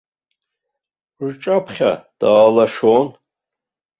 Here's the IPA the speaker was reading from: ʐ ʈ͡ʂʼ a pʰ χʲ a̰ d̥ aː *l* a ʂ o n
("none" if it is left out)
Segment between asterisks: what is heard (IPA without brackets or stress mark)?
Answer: l